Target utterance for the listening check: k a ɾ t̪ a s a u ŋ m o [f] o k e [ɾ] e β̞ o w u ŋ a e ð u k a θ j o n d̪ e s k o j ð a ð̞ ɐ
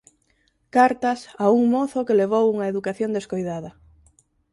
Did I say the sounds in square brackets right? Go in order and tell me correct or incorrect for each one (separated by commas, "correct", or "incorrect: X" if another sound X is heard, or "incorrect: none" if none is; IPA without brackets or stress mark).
incorrect: θ, incorrect: l